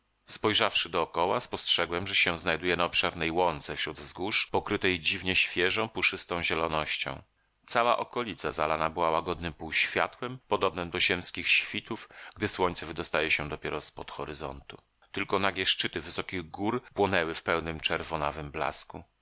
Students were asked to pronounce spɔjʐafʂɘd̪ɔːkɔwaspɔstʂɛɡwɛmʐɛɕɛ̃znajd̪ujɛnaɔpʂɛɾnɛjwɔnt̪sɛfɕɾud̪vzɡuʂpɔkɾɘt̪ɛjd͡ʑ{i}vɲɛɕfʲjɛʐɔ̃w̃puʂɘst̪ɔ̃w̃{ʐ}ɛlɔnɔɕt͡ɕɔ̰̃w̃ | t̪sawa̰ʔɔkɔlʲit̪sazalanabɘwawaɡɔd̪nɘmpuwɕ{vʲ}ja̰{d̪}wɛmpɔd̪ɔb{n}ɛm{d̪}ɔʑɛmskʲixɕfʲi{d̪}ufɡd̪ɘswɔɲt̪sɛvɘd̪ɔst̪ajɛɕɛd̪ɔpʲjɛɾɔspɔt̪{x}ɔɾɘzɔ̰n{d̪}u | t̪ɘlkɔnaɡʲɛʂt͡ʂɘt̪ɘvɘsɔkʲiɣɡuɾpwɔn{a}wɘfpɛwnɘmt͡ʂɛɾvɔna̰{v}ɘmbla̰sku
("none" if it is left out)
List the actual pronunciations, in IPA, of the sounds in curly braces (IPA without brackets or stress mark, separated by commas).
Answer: i, ʑ, fʲ, t̪, n, d̪, t̪, x, t̪, ɛ, v